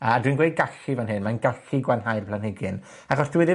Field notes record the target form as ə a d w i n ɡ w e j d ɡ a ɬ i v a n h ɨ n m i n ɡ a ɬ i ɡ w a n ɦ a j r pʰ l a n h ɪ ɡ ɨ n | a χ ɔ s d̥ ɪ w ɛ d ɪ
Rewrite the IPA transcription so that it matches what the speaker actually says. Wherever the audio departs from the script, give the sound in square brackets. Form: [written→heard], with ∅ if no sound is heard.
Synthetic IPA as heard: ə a d w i n ɡ w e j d ɡ a ɬ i v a n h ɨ n m [i→a] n ɡ a ɬ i ɡ w a n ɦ a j r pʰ l a n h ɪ ɡ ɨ n | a χ ɔ s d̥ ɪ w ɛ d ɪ